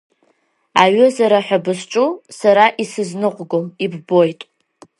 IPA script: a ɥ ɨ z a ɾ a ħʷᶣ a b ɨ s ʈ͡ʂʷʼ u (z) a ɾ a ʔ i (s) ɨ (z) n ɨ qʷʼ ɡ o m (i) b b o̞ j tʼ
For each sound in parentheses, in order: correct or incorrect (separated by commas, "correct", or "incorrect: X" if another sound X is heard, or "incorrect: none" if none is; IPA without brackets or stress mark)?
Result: incorrect: s, correct, correct, correct